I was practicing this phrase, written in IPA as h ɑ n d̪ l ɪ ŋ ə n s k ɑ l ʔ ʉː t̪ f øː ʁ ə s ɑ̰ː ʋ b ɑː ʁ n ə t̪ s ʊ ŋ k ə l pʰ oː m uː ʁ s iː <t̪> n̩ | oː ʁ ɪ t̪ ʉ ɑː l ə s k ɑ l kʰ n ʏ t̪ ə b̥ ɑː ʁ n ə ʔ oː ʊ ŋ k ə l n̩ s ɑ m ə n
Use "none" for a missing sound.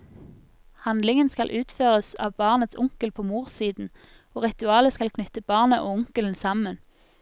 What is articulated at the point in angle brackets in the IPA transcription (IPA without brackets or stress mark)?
d̪